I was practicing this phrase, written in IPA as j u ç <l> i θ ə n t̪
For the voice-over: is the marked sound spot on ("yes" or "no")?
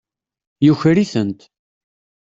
no